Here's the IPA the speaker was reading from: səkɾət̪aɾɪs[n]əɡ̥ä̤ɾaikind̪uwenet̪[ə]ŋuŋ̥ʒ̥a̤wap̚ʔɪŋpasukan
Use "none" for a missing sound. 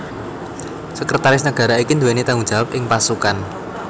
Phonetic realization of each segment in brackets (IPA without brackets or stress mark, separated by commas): n, a